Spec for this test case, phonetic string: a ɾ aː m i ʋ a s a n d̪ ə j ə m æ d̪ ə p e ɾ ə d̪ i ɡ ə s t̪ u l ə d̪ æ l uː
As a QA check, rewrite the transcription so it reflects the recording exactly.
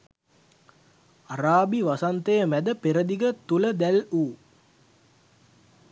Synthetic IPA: a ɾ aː b i ʋ a s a n t̪ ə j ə m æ d̪ ə p e ɾ ə d̪ i ɡ ə t̪ u l ə d̪ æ l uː

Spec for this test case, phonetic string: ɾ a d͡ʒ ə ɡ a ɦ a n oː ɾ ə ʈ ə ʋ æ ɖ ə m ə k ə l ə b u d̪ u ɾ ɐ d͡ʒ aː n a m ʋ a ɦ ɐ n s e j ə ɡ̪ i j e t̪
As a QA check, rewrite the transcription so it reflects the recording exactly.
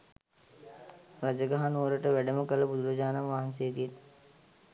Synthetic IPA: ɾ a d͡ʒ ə ɡ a ɦ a n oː ɾ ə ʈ ə ʋ æ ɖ ə m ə k ə l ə b u d̪ u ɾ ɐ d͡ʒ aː n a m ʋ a ɦ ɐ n s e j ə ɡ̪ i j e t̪

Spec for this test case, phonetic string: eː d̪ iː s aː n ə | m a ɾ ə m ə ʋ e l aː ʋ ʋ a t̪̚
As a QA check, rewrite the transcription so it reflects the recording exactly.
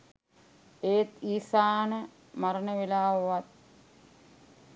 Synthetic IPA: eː t̪ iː s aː n ə | m a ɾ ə n ə ʋ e l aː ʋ ʋ a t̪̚

